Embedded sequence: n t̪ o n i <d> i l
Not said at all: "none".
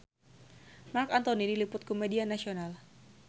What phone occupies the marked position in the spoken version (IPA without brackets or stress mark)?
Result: d